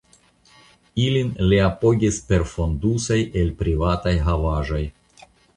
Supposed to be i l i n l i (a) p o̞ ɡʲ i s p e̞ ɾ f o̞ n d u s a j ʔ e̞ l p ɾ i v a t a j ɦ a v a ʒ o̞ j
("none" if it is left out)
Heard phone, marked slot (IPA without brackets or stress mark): a